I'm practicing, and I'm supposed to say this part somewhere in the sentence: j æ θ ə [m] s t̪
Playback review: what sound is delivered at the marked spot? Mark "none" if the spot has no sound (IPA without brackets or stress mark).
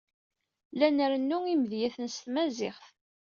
n